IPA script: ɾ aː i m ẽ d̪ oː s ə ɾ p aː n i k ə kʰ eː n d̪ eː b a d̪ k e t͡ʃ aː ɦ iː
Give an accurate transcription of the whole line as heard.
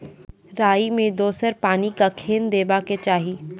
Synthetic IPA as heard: ɾ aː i m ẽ d̪ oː s ə ɾ p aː n i k a kʰ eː n d̪ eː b a k e t͡ʃ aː ɦ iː